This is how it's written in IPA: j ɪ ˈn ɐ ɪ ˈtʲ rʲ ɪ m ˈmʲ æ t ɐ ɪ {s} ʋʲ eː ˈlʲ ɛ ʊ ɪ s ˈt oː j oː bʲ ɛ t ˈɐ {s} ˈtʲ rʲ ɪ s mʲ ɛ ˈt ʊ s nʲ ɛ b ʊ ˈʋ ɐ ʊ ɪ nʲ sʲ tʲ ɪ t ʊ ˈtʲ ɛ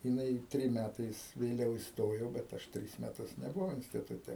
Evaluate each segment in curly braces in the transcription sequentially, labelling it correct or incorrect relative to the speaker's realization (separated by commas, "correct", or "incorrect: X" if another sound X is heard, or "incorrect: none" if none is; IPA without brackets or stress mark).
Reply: correct, incorrect: ʃ